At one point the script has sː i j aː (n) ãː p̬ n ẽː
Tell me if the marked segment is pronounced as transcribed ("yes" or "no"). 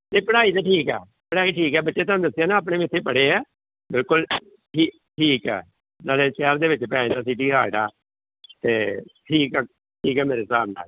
yes